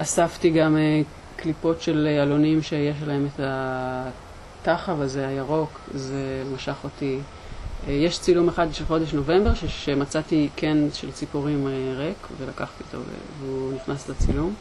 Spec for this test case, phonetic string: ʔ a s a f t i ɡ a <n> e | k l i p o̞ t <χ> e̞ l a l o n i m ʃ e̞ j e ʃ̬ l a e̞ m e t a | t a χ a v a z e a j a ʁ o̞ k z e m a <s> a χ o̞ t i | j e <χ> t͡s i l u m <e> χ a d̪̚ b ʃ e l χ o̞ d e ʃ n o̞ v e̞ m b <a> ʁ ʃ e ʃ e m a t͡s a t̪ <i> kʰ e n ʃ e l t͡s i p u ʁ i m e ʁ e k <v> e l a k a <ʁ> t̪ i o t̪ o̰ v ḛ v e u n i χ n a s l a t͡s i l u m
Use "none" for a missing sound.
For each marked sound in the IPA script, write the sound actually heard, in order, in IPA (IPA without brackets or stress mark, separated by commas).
m, ʃ, ʃ, ʃ, e, e, i, v, χ